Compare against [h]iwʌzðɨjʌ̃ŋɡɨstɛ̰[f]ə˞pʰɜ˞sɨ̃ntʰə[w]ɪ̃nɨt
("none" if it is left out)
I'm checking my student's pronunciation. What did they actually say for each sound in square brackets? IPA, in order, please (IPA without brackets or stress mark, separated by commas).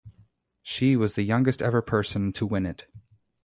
ʃ, v, w